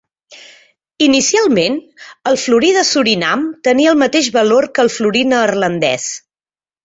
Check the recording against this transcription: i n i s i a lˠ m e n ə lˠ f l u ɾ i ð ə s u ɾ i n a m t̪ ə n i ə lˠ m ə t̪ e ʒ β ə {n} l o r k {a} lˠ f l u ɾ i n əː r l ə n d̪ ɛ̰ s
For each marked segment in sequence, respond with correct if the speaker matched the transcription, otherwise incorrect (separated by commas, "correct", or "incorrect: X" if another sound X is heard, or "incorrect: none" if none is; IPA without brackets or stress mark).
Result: incorrect: none, incorrect: ə